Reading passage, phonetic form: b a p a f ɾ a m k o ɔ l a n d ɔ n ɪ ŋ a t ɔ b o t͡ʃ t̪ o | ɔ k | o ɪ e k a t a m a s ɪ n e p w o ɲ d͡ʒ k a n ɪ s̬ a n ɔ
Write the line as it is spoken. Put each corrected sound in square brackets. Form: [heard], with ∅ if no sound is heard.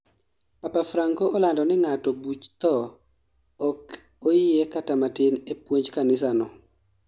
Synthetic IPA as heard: [p] a p a f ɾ a [ŋ] k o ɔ l a n d ɔ n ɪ ŋ a t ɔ b [u] t͡ʃ t̪ [ɔ] | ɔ k | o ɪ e k a t a m a [t] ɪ n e p w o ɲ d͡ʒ k a n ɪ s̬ a n ɔ